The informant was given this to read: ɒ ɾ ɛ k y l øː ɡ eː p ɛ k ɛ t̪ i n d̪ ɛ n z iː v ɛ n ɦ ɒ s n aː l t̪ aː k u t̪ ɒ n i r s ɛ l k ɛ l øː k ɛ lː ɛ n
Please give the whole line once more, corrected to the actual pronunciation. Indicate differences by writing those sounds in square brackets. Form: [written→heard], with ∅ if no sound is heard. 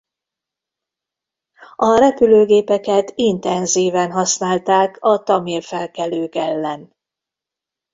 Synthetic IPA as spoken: ɒ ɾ ɛ [k→p] y l øː ɡ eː p ɛ k ɛ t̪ i n [d̪→t̪] ɛ n z iː v ɛ n ɦ ɒ s n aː l t̪ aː k [u→ɒ] t̪ ɒ [n→m] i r [s→f] ɛ l k ɛ l øː k ɛ lː ɛ n